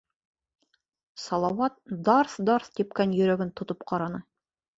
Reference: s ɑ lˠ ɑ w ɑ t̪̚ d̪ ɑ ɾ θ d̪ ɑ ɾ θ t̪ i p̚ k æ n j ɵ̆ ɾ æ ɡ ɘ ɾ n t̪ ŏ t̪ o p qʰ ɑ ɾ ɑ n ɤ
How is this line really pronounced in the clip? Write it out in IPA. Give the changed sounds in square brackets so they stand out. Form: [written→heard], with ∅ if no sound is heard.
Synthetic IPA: s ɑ lˠ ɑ w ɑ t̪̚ d̪ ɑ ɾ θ d̪ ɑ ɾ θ t̪ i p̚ k æ n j ɵ̆ ɾ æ ɡ ɘ [ɾ→∅] n t̪ ŏ t̪ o p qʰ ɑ ɾ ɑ n ɤ

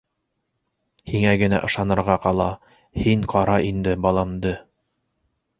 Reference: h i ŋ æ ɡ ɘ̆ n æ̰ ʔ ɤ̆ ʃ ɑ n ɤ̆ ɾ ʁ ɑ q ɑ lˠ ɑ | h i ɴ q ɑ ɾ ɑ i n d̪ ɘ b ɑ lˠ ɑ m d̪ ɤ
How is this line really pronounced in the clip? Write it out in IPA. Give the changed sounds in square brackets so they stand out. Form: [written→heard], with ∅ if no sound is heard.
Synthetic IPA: h i ŋ æ ɡ ɘ̆ n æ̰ ʔ ɤ̆ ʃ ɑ n ɤ̆ ɾ ʁ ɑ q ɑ lˠ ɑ | h i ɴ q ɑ ɾ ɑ i n d̪ ɘ b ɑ lˠ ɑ m d̪ ɤ

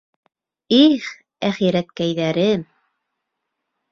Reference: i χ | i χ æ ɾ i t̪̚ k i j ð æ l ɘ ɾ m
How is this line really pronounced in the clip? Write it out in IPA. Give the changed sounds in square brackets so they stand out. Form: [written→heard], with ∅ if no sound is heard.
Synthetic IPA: i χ | [i→æ] χ [æ→i] ɾ [i→æ] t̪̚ k [i→æ] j ð æ [l→ɾ] ɘ [ɾ→∅] m

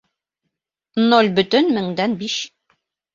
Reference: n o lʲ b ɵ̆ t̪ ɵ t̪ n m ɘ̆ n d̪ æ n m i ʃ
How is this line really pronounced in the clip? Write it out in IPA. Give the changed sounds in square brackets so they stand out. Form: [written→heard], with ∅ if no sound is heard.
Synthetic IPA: n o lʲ b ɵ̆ t̪ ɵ [t̪→∅] n m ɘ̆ [n→ŋ] d̪ æ n [m→b] i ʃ

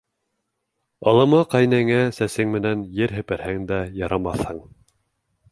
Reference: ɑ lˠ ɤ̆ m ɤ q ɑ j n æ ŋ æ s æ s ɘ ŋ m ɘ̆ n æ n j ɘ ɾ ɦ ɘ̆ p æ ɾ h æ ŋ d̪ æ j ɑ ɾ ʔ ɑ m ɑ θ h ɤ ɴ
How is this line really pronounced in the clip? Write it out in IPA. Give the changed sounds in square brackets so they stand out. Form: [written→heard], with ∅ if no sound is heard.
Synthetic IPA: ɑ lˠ ɤ̆ m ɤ q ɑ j n æ ŋ æ s æ s ɘ ŋ m ɘ̆ n æ n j ɘ ɾ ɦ ɘ̆ p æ ɾ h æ ŋ d̪ æ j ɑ ɾ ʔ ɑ m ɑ θ h ɤ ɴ

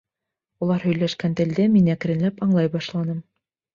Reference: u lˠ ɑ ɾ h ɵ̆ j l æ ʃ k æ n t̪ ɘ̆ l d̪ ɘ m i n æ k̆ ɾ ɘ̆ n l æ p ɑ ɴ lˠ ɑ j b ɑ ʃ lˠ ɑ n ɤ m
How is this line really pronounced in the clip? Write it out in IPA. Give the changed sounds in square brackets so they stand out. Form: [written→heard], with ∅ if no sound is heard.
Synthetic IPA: u lˠ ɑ ɾ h ɵ̆ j l æ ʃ k æ n t̪ ɘ̆ l d̪ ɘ m i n æ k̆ ɾ ɘ̆ n l æ p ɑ ɴ lˠ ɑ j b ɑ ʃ lˠ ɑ n ɤ m

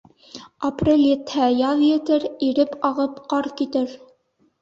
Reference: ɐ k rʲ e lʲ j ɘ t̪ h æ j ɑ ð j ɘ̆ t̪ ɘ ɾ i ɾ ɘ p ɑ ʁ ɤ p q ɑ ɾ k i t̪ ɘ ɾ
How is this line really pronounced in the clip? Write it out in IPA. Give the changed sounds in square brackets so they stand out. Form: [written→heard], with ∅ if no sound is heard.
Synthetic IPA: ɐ [k→p] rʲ e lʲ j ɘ t̪ h æ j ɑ ð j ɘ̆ t̪ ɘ ɾ i ɾ ɘ p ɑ ʁ ɤ p q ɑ ɾ k i t̪ ɘ ɾ

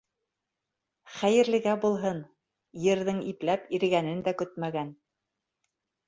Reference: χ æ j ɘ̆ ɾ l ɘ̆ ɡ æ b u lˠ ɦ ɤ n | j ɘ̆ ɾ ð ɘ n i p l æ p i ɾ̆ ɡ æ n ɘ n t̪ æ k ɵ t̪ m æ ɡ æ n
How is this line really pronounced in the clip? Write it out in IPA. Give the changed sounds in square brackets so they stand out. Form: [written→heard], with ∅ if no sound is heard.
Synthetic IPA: χ æ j ɘ̆ ɾ l ɘ̆ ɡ æ b u lˠ ɦ ɤ n | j ɘ̆ ɾ ð ɘ [n→ŋ] i p l æ p i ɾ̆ ɡ æ n ɘ n [t̪→d̪] æ k ɵ t̪ m æ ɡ æ n

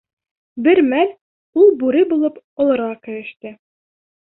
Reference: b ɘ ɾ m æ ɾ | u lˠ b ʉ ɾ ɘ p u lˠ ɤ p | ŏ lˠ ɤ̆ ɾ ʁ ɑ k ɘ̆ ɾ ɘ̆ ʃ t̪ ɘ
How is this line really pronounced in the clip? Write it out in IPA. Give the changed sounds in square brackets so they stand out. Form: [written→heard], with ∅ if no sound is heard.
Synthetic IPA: b ɘ ɾ m æ [ɾ→l] | u lˠ b ʉ ɾ ɘ [p→b] u lˠ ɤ p | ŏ lˠ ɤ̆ ɾ ʁ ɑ k ɘ̆ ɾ ɘ̆ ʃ t̪ ɘ

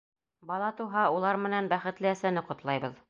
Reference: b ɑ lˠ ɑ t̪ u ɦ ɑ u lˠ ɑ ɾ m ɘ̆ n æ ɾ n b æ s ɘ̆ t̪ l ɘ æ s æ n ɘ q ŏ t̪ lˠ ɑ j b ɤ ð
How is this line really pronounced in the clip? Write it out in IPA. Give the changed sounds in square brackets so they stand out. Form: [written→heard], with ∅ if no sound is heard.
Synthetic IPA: b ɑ lˠ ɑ t̪ u ɦ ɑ u lˠ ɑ ɾ m ɘ̆ n æ [ɾ→∅] n b æ [s→χ] ɘ̆ t̪ l ɘ æ s æ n ɘ q ŏ t̪ lˠ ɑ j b ɤ ð

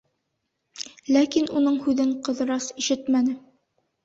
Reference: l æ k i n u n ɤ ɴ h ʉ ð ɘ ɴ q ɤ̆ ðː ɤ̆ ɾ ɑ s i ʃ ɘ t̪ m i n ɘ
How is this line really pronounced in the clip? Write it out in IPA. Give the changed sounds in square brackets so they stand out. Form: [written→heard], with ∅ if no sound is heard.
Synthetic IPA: l æ k i n u n ɤ ɴ h ʉ ð ɘ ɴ q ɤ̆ [ðː→ð] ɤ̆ ɾ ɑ s i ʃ ɘ t̪ m [i→æ] n ɘ

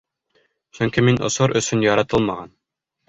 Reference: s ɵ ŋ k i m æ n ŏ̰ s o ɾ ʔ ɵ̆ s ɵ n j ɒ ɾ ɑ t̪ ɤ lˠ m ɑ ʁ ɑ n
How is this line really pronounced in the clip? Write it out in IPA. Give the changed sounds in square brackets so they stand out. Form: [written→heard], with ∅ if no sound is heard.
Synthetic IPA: s ɵ ŋ k i m [æ→i] n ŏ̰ s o ɾ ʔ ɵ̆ s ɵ n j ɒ ɾ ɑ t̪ ɤ lˠ m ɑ ʁ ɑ n

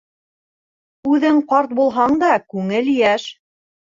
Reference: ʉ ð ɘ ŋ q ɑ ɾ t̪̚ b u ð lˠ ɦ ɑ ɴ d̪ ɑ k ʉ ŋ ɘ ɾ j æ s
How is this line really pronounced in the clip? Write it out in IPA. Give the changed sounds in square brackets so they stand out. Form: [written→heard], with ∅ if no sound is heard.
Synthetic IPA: ʉ ð ɘ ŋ q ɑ ɾ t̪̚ b u [ð→∅] lˠ ɦ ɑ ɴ d̪ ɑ k ʉ ŋ ɘ [ɾ→l] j æ [s→ʃ]

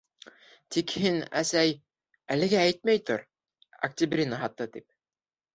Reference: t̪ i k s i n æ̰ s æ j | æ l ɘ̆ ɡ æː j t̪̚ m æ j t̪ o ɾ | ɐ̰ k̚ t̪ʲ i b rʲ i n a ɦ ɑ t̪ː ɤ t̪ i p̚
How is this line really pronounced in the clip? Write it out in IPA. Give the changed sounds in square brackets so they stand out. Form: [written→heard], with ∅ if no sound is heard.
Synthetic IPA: t̪ i k [s→h] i n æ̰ s æ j | æ l ɘ̆ ɡ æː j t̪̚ m æ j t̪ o ɾ | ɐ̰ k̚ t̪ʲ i b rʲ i n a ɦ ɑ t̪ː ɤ t̪ i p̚

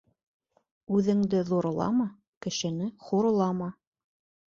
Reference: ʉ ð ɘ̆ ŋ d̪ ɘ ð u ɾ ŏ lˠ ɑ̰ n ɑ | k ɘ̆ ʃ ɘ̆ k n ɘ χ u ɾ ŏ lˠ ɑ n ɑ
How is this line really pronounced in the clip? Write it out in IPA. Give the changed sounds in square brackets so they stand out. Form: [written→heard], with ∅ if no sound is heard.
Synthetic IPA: ʉ ð ɘ̆ ŋ d̪ ɘ ð u ɾ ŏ lˠ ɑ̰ [n→m] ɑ | k ɘ̆ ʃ ɘ̆ [k→∅] n ɘ χ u ɾ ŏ lˠ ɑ [n→m] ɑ

